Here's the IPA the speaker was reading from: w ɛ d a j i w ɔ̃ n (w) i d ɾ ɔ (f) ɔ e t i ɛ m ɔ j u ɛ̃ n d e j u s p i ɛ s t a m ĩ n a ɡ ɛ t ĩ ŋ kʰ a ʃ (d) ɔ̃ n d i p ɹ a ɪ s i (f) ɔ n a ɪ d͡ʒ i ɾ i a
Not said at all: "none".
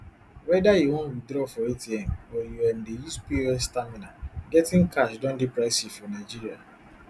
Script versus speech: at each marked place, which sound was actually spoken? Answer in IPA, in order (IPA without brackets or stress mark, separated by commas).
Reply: w, f, d, f